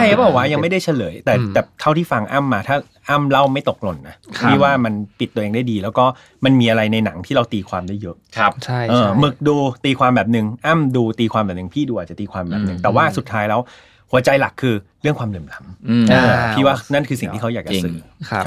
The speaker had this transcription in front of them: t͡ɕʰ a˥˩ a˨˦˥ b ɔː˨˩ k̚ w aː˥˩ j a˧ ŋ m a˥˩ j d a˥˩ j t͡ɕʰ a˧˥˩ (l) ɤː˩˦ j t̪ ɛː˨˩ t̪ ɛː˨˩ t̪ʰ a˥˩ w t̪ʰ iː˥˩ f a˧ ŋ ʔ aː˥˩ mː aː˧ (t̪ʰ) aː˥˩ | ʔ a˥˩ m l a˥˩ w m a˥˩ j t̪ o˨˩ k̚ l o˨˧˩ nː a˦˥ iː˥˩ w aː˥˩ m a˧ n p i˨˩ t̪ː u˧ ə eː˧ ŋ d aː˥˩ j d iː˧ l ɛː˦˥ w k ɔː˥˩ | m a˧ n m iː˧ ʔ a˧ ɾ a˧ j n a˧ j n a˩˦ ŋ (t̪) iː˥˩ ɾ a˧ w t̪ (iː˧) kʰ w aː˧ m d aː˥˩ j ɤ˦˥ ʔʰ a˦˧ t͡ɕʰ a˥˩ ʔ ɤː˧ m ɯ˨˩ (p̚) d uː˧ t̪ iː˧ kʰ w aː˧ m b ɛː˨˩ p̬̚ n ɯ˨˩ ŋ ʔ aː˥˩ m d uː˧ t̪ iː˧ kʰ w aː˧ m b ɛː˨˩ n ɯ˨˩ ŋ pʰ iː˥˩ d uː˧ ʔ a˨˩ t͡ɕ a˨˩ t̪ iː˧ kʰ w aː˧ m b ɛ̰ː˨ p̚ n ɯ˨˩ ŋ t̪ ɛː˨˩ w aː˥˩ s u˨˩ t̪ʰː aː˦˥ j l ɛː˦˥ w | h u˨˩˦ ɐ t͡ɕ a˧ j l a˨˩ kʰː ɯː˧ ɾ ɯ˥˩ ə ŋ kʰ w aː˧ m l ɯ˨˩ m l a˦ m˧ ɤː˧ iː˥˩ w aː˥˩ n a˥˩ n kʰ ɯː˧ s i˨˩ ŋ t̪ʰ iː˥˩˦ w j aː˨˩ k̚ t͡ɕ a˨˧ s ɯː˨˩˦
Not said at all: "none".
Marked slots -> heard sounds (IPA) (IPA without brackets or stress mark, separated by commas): l, t̪ʰ, t̪ʰ, iː˧, k̚